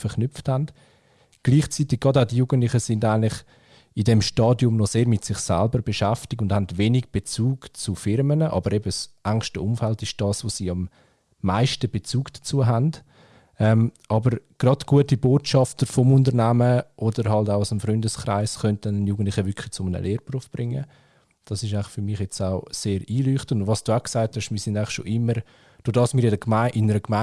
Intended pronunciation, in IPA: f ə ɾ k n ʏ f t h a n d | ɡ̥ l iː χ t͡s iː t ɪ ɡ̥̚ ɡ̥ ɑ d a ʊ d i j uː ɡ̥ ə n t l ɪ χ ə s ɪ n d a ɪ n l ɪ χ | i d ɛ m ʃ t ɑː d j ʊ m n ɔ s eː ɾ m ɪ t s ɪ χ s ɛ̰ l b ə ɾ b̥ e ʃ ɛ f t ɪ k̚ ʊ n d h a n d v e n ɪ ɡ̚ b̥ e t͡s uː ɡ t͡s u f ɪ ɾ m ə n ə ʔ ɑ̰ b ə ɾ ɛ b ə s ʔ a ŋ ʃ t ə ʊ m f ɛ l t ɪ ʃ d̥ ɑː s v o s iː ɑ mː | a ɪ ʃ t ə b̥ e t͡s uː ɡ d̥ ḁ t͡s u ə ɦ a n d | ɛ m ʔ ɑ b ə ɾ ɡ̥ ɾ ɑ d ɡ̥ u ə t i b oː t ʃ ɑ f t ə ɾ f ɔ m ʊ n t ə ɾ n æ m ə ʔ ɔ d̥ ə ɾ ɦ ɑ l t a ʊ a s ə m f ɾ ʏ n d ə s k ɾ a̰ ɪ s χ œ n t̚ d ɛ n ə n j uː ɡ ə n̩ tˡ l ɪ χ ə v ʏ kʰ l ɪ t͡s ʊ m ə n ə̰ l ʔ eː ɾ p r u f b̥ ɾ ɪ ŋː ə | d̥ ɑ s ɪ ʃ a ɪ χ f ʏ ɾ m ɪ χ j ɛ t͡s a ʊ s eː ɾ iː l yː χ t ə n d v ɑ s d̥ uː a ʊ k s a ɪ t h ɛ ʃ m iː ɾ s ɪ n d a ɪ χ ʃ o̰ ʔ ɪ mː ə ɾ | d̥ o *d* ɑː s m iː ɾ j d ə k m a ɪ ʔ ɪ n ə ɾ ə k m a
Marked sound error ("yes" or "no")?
no